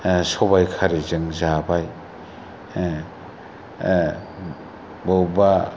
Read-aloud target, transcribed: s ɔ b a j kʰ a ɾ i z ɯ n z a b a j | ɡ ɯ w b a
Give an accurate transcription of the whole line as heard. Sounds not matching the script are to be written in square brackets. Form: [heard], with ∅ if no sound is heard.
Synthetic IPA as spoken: s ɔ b a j kʰ a ɾ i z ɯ [ŋ] z a b a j | [b] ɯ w b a